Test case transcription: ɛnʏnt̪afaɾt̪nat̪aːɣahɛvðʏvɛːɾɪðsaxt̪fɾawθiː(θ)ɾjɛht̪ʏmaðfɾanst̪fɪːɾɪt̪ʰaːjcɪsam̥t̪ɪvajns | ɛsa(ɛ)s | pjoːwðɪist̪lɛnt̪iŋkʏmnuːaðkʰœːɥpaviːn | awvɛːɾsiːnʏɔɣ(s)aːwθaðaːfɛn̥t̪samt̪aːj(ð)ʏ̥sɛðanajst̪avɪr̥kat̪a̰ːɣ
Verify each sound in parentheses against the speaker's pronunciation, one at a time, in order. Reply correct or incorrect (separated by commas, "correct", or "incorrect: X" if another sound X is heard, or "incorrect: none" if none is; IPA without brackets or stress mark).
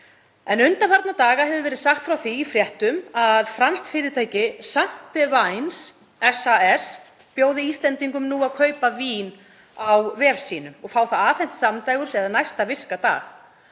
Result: incorrect: f, correct, incorrect: f, incorrect: ɣ